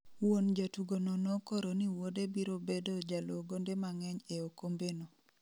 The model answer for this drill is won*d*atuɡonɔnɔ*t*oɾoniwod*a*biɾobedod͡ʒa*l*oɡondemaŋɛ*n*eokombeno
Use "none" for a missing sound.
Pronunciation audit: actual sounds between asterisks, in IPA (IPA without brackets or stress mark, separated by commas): d͡ʒ, k, e, l, ɲ